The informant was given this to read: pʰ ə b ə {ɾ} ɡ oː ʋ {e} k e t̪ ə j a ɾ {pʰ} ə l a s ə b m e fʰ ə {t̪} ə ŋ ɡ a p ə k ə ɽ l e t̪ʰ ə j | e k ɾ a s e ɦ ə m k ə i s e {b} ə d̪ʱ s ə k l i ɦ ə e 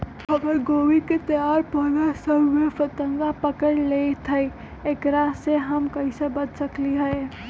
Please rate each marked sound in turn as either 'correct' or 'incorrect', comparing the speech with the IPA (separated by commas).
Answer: correct, incorrect, incorrect, correct, correct